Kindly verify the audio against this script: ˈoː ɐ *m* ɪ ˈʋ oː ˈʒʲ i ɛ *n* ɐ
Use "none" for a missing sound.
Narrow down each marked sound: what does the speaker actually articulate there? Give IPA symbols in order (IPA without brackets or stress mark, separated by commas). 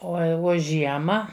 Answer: none, m